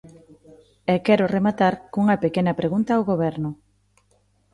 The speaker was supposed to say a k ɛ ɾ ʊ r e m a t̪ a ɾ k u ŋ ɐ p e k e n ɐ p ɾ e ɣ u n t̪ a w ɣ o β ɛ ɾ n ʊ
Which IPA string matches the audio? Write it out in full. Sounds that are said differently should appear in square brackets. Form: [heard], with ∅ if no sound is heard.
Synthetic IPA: [ɛ] k ɛ ɾ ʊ r e m a t̪ a ɾ k u ŋ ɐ p e k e n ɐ p ɾ e ɣ u n t̪ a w ɣ o β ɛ ɾ n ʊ

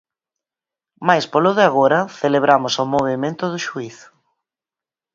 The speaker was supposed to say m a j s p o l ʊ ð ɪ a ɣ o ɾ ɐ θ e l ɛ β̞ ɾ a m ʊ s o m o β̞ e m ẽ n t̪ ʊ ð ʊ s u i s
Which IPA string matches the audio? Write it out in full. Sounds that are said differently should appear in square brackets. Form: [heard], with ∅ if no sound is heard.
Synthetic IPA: m a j s p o l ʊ ð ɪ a ɣ o ɾ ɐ θ e l [e] β̞ ɾ a m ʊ s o m o β̞ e m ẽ n t̪ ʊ ð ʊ [ʃ] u i [θ]

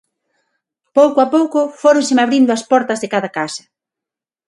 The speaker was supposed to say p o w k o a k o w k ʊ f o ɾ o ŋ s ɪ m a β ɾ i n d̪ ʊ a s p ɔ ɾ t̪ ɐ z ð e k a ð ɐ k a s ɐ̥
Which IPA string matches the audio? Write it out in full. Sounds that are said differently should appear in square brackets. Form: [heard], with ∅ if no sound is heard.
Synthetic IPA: p o w k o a [p] o w k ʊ f o ɾ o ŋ s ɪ m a β ɾ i n d̪ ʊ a s p ɔ ɾ t̪ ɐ z ð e k a ð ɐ k a s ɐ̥

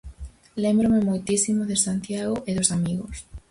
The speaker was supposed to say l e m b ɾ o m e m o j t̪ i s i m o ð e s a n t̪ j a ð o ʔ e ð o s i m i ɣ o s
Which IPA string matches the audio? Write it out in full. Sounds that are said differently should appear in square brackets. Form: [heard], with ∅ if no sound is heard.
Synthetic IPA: l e m b ɾ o m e m o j t̪ i s i m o ð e s a n t̪ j a [ɣ] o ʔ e ð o s [a] m i ɣ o s

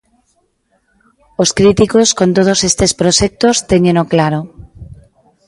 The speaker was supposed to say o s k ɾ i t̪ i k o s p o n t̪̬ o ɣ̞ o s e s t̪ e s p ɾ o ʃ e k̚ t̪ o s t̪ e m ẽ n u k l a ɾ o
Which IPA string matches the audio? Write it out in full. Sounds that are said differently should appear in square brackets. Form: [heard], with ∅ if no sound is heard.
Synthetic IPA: o s k ɾ i t̪ i k o s [k] o n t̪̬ o [ð̞] o s e s t̪ e s p ɾ o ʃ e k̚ t̪ o s t̪ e [ɲ] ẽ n [o] k l a ɾ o

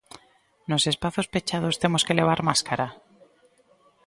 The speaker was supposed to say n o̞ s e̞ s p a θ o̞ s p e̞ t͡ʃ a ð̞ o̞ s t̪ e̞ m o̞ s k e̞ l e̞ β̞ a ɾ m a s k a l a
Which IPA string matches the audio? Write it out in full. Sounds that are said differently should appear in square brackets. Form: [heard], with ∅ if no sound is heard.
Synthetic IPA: n o̞ s e̞ s p a θ o̞ s p e̞ t͡ʃ a ð̞ o̞ s t̪ e̞ m o̞ s k e̞ l e̞ β̞ a ɾ m a s k a [ɾ] a

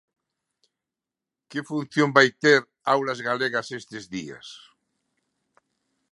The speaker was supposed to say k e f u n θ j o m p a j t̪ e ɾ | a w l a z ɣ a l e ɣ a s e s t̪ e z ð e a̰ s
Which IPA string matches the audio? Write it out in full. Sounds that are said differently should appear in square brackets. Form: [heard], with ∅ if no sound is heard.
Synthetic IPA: k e f u n θ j o m [b] a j t̪ e ɾ | a w l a z ɣ a l e ɣ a s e s t̪ e z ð [i] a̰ s

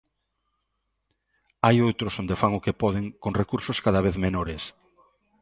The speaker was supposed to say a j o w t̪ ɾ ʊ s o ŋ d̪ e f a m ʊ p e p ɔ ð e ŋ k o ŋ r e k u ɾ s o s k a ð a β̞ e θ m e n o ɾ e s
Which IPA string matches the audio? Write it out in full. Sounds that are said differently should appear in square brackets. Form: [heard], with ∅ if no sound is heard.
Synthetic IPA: a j o w t̪ ɾ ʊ s o [n] d̪ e f a [ŋ] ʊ [k] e p ɔ ð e ŋ k o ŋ r e k u ɾ s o s k a ð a β̞ e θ m e n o ɾ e s

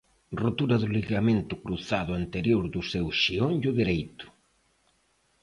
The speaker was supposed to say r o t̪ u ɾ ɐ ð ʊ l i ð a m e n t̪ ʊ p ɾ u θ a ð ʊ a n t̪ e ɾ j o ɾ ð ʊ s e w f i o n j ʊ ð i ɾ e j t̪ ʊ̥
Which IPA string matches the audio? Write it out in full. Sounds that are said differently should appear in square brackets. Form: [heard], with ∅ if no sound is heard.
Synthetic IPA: r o t̪ u ɾ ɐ ð ʊ l i [ɣ] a m e n t̪ ʊ [k] ɾ u θ a ð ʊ a n t̪ e ɾ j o ɾ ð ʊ s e w [ʃ] i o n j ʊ ð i ɾ e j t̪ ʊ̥

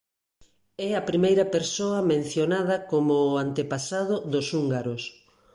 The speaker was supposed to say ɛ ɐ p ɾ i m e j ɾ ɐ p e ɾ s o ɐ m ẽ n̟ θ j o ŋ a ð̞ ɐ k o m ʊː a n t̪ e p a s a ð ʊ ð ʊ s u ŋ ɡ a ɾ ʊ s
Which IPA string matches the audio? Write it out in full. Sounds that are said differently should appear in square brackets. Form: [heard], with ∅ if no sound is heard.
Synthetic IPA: ɛ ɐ p ɾ i m e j ɾ ɐ p e ɾ s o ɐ m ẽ n̟ θ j o [n] a ð̞ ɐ k o m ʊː a n t̪ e p a s a ð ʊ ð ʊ s u ŋ ɡ a ɾ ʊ s

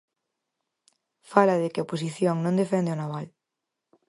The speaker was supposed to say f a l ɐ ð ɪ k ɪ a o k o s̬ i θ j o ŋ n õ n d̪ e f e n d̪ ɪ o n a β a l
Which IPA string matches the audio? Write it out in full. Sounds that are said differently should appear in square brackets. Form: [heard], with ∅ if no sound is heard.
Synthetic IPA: f a l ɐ ð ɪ k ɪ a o [p] o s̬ i θ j o ŋ n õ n d̪ e f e n d̪ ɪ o n a β a l

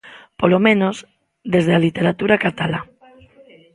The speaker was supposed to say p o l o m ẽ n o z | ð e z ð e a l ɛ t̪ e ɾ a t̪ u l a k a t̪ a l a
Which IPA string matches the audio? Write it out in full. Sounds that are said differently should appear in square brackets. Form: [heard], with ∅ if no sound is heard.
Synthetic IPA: p o l o m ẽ n o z | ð e z ð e a l [i] t̪ e ɾ a t̪ u [ɾ] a k a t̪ a l a

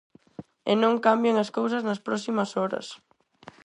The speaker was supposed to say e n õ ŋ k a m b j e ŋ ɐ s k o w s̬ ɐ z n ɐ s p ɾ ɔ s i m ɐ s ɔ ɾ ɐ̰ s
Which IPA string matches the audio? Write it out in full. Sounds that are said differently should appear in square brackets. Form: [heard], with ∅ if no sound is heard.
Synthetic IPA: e n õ ŋ k a m b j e ŋ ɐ s k o w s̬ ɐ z n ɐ s p ɾ ɔ s i m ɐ s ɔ ɾ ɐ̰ s

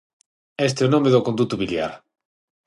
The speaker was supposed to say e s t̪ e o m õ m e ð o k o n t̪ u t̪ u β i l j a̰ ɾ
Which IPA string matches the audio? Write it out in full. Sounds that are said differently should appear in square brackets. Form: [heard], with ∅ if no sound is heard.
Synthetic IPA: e s t̪ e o [n] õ m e ð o k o n [d̪] u t̪ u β i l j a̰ ɾ

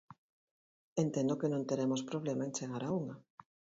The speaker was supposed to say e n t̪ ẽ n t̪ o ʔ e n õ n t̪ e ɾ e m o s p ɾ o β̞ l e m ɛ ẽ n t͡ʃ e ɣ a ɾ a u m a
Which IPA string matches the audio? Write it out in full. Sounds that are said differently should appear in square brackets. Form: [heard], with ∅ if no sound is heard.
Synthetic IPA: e n t̪ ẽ n [d̪] o [k] e n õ n t̪ e ɾ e m o s p ɾ o β̞ l e m [a] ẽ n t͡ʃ e ɣ a ɾ a u [ŋ] a

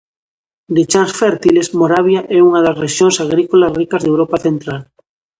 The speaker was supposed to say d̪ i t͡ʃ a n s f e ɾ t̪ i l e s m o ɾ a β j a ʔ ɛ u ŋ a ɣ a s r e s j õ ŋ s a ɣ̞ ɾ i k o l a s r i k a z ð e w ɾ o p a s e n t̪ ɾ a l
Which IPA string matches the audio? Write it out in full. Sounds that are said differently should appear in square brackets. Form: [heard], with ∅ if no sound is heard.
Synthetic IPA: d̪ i t͡ʃ a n s f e ɾ t̪ i l e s m o ɾ a β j a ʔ ɛ u ŋ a [ð] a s r e [ʃ] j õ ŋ s a ɣ̞ ɾ i k o l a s r i k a z ð e w ɾ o p a [θ] e n t̪ ɾ a l

